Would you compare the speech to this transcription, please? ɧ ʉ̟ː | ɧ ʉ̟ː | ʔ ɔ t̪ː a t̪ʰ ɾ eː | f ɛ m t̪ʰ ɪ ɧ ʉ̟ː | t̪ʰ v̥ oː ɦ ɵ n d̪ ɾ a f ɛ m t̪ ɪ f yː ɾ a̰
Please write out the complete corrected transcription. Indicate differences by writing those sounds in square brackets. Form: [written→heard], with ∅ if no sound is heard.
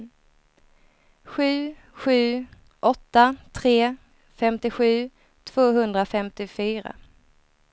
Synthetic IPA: ɧ ʉ̟ː | ɧ ʉ̟ː | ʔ ɔ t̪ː a t̪ʰ ɾ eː | f ɛ m [t̪ʰ→t̪] ɪ ɧ ʉ̟ː | t̪ʰ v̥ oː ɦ ɵ n d̪ ɾ a f ɛ m t̪ ɪ f yː ɾ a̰